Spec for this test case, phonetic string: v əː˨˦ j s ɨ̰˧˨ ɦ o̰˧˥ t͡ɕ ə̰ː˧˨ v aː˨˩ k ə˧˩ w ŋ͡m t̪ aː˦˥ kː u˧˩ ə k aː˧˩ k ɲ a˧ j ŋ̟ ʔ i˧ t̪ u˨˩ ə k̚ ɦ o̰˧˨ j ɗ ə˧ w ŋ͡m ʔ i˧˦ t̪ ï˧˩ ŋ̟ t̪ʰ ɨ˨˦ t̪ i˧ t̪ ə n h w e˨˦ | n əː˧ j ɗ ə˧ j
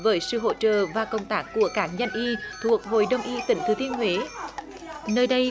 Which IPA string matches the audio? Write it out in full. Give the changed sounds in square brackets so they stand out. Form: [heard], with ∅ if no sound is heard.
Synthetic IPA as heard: v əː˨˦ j s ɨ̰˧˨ ɦ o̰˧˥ t͡ɕ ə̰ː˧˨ v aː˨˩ k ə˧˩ w ŋ͡m t̪ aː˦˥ kː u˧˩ ə k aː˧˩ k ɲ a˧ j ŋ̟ ʔ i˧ [t̪ʰ] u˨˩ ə k̚ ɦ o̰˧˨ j ɗ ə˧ w ŋ͡m ʔ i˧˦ t̪ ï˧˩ ŋ̟ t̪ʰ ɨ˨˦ t̪ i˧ [∅] ə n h w e˨˦ | n əː˧ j ɗ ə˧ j